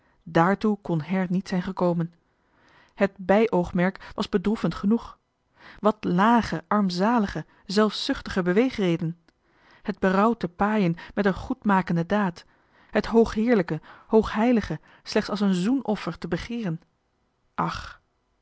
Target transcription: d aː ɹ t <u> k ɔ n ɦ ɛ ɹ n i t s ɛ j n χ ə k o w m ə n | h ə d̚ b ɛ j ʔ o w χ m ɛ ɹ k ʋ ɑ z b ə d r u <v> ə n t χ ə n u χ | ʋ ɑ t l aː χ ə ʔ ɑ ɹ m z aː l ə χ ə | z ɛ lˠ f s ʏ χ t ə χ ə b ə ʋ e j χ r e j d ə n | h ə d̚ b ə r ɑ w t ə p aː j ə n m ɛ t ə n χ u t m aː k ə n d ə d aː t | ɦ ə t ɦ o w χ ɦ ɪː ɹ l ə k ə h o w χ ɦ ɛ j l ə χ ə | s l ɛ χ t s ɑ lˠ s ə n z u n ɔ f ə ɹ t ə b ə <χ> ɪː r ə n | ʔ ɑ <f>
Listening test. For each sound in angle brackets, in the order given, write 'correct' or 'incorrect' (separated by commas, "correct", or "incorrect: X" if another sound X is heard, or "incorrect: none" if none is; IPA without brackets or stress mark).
correct, incorrect: f, correct, incorrect: χ